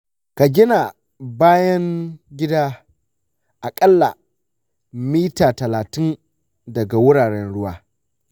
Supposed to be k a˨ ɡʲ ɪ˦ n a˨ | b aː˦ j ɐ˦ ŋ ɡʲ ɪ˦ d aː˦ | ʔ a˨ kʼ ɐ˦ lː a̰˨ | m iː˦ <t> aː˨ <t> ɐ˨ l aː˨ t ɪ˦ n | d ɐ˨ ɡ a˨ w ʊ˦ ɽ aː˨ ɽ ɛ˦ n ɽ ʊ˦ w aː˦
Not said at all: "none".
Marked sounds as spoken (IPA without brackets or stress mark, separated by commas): t, t